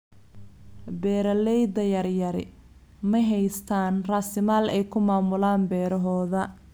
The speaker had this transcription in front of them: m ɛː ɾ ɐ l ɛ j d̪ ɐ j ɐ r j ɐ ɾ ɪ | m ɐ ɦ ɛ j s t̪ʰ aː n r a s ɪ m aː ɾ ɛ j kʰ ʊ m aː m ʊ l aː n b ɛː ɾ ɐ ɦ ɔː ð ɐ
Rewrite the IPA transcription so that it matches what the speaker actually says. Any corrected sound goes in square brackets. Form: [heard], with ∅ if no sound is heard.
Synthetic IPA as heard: [b] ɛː ɾ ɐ l ɛ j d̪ ɐ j ɐ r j ɐ ɾ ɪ | m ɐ ɦ ɛ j s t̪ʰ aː n r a s ɪ m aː [l] ɛ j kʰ ʊ m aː m ʊ l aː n b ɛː ɾ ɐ ɦ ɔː ð ɐ